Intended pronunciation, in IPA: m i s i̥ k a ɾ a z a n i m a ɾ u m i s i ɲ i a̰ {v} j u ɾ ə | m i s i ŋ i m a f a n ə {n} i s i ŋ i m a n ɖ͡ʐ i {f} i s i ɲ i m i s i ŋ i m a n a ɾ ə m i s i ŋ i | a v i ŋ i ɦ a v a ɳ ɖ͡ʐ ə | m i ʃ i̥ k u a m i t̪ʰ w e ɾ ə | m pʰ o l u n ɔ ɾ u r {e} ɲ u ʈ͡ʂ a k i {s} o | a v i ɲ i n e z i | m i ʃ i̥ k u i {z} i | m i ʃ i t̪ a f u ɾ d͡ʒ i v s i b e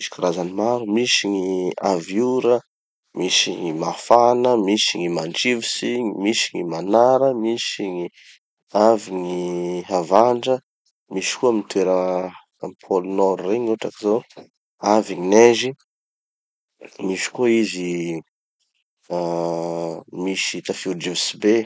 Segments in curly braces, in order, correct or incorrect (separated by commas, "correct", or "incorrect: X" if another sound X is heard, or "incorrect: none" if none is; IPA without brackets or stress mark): correct, incorrect: m, incorrect: v, correct, incorrect: z, correct